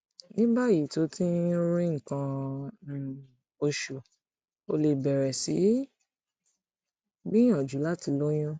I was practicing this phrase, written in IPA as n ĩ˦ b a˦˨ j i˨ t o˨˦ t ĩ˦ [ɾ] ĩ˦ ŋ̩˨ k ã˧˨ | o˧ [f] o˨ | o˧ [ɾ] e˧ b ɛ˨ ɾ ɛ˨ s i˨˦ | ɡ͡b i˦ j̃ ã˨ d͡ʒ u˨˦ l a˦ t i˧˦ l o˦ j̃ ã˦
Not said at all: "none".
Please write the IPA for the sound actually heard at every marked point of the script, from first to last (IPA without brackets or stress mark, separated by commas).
ɾ, ʃ, l